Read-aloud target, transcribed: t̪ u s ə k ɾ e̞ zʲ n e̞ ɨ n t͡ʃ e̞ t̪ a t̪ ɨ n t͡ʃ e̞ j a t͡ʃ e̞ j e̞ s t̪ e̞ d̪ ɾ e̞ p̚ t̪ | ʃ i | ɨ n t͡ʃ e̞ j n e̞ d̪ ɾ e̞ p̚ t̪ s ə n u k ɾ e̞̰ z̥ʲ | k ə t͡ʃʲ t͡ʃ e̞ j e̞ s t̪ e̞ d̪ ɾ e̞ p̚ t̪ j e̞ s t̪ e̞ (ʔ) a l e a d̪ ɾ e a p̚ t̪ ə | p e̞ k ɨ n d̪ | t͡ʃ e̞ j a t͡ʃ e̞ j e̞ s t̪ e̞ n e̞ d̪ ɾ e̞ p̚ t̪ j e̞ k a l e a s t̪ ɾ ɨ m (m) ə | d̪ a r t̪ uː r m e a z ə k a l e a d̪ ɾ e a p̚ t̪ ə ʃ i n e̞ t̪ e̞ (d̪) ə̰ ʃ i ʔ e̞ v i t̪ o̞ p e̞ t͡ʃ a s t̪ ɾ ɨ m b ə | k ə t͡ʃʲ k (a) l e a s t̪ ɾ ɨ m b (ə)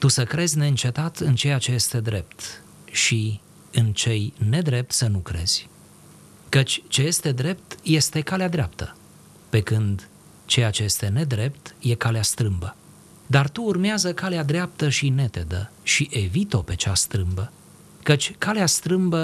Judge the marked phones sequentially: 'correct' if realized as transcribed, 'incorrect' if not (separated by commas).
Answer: incorrect, incorrect, correct, correct, correct